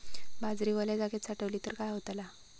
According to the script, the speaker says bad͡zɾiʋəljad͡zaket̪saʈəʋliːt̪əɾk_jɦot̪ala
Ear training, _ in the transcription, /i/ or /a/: a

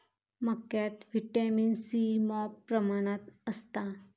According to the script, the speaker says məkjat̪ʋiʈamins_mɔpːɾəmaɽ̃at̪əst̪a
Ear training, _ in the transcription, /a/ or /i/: i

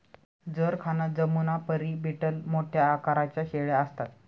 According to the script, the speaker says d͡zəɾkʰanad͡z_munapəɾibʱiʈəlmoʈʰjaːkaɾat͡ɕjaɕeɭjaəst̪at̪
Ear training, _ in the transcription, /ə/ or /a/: ə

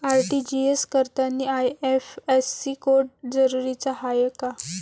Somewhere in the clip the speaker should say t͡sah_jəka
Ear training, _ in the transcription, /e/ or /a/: a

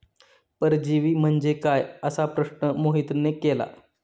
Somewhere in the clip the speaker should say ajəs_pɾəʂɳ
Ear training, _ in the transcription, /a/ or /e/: a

